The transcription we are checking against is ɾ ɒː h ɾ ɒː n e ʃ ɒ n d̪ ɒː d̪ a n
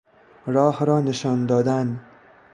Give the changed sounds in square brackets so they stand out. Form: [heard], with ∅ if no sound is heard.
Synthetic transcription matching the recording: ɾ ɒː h ɾ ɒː n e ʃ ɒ n d̪ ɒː d̪ a n